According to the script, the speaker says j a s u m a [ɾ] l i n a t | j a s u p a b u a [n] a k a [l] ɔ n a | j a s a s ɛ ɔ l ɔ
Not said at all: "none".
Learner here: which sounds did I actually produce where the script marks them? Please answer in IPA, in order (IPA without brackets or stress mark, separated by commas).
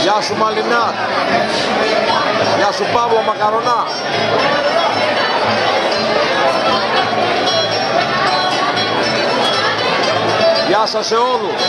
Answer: none, m, ɾ